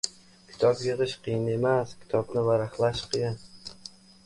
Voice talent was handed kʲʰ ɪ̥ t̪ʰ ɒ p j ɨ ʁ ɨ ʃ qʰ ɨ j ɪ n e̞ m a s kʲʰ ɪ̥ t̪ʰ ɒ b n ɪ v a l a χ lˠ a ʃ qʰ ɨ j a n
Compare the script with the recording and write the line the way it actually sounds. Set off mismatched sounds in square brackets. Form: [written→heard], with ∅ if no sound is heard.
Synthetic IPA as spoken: kʲʰ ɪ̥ t̪ʰ ɒ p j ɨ ʁ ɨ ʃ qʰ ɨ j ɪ n e̞ m a s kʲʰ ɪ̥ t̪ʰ ɒ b n ɪ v a [l→ɾ] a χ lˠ a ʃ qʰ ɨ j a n